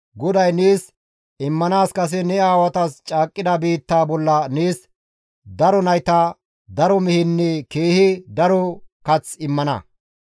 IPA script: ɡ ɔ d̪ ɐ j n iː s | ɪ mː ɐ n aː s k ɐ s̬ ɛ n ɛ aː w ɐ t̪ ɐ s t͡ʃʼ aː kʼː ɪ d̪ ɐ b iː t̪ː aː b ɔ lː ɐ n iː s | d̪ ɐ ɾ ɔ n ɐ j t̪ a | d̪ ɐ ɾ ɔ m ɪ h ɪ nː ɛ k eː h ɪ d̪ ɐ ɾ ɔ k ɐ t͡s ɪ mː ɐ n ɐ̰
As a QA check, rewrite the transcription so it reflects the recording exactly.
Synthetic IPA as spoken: ɡ ɔ d̪ ɐ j n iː s | ɪ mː ɐ n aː s k ɐ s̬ ɛ n ɛ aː w ɐ t̪ ɐ s t͡ʃʼ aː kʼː ɪ d̪ ɐ b iː t̪ː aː b ɔ lː ɐ n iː s | d̪ ɐ ɾ ɔ n ɐ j t̪ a | d̪ ɐ ɾ ɔ m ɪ h ɪ nː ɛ k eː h ɪ d̪ ɐ ɾ ɔ k ɐ t͡s ɪ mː ɐ n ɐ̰

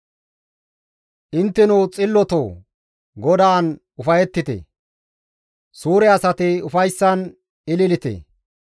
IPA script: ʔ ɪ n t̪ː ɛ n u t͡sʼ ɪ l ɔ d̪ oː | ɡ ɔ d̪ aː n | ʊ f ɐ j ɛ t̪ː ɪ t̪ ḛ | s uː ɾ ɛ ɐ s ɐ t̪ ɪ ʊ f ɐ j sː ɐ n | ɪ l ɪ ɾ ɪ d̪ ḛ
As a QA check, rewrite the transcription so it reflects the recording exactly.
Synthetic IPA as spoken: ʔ ɪ n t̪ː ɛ n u t͡sʼ ɪ lː ɔ t̪ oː | ɡ ɔ d̪ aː n | ʊ f ɐ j ɛ t̪ː ɪ t̪ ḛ | s uː ɾ ɛ ɐ s ɐ t̪ ɪ ʊ f ɐ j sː ɐ n | ɪ l ɪ l ɪ t̪ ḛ

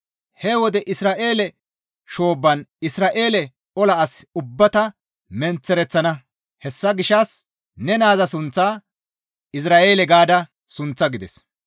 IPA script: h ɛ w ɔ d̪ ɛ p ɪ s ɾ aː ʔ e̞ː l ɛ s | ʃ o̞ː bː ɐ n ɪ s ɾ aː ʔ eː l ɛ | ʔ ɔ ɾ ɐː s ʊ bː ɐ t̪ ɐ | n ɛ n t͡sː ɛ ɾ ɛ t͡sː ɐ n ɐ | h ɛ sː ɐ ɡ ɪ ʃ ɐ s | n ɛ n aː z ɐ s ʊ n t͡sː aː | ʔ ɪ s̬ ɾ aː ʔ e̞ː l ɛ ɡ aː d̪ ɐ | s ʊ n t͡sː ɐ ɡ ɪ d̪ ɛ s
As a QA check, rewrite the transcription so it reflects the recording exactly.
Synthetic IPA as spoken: h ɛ w ɔ d̪ ɛ ʔ ɪ s ɾ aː ʔ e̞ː l ɛ | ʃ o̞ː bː ɐ n ɪ s ɾ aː ʔ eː l ɛ | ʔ ɔ l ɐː s ʊ bː ɐ t̪ ɐ | m ɛ n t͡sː ɛ ɾ ɛ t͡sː ɐ n ɐ | h ɛ sː ɐ ɡ ɪ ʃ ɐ s | n ɛ n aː z ɐ s ʊ n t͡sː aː | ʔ ɪ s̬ ɾ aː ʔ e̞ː l ɛ ɡ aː d̪ ɐ | s ʊ n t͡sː ɐ ɡ ɪ d̪ ɛ s

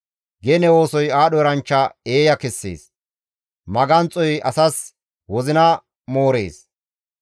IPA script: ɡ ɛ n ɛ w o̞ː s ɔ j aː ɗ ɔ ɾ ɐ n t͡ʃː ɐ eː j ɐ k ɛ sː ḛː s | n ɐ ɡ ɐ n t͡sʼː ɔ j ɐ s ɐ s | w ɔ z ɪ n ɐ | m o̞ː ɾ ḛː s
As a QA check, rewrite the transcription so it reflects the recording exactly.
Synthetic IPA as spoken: ɡ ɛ n ɛ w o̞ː s ɔ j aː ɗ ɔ ɾ ɐ n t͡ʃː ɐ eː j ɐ k ɛ sː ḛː s | m ɐ ɡ ɐ n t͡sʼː ɔ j ɐ s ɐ s | w ɔ z ɪ n ɐ | m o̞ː ɾ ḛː s

